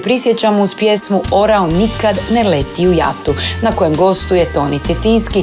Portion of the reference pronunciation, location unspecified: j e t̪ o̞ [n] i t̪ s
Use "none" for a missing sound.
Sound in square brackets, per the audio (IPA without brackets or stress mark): n